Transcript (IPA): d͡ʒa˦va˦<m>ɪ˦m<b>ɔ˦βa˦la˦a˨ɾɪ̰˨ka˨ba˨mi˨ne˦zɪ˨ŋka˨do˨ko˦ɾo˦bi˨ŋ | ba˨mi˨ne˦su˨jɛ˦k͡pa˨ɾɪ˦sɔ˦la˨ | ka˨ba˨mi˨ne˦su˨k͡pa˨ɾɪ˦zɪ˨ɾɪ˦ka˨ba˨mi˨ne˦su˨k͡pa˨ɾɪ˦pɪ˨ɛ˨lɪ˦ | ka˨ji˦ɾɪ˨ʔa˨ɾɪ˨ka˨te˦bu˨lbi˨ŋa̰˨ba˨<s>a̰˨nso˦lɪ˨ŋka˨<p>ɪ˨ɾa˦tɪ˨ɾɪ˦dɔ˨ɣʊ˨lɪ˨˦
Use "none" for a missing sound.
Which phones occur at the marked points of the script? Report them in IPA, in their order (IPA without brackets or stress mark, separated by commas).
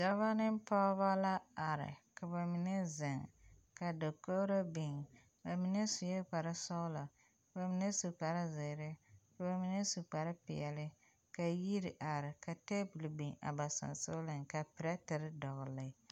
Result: n, p, s, p